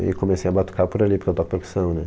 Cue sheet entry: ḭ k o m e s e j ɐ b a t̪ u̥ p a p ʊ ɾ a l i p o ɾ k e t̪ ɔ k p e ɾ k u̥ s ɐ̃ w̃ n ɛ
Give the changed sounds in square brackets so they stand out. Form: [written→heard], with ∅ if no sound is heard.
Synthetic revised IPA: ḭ k o m e s e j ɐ b a t̪ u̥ [p→k] a p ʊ ɾ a l i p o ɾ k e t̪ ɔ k p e ɾ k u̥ s ɐ̃ w̃ n ɛ